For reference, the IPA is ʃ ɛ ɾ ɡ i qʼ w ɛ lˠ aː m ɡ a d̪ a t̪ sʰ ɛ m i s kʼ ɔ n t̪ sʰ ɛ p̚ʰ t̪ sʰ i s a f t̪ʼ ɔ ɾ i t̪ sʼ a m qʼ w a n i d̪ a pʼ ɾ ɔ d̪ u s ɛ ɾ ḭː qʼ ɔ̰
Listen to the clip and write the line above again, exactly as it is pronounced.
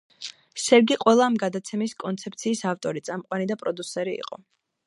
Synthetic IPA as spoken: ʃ ɛ ɾ ɡ i qʼ w ɛ lˠ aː m ɡ a d̪ a t̪ sʰ ɛ m i s kʼ ɔ n t̪ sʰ ɛ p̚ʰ t̪ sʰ iː s a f t̪ʼ ɔ ɾ i t̪ sʼ a m qʼ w a n i d̪ a pʼ ɾ ɔ d̪ u s ɛ ɾ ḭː qʼ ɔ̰